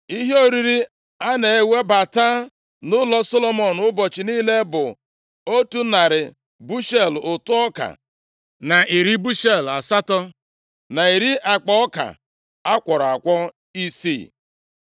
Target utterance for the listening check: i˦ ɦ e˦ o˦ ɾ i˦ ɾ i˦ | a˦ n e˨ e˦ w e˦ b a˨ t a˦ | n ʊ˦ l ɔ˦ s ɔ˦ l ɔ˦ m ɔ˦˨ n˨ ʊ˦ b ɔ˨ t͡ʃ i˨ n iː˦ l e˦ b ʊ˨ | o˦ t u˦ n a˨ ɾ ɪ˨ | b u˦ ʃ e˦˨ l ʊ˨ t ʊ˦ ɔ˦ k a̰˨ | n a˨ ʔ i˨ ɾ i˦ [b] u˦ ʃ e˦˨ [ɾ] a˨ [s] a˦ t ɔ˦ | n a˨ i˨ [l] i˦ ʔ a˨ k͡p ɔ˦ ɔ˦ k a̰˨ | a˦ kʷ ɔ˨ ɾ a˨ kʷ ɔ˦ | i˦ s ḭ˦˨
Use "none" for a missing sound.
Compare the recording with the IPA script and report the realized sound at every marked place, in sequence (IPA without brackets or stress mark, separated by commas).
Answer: b, l, s, ɾ